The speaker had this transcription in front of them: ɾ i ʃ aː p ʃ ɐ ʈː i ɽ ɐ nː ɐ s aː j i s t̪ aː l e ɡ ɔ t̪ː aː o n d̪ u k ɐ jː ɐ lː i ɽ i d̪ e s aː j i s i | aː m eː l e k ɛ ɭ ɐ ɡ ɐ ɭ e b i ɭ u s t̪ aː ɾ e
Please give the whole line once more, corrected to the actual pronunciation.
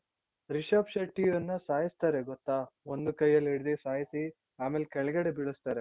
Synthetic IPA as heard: ɾ i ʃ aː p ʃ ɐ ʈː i ɐ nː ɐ s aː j i s t̪ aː ɾ e ɡ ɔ t̪ː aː o n d̪ u k ɐ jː ɐ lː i ɽ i d̪ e s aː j i s i | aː m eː l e k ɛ ɭ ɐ ɡ ɐ ɽ e b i ɭ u s t̪ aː ɾ e